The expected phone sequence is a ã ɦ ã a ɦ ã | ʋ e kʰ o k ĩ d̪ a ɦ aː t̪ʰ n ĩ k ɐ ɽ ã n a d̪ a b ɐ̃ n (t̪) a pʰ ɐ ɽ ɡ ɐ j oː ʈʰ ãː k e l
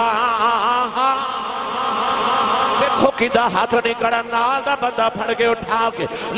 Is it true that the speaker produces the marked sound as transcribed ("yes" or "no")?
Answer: no